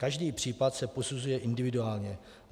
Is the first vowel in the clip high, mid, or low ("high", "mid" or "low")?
low